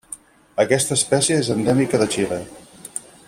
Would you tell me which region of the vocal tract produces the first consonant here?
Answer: velum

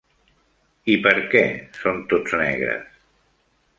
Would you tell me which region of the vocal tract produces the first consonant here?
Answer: lips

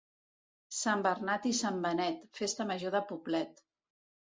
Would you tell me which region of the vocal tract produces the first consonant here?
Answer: tongue tip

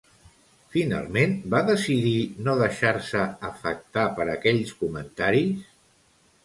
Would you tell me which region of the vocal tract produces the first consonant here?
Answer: lips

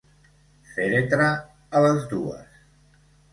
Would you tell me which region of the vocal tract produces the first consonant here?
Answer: lips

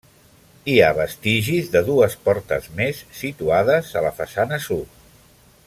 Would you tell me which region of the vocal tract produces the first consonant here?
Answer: lips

